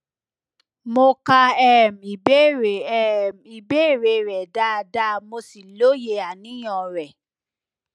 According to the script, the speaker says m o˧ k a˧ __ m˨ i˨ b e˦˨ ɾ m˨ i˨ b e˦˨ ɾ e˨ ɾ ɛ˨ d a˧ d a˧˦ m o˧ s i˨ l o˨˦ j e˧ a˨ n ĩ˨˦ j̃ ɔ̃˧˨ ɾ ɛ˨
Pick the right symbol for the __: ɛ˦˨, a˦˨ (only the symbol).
ɛ˦˨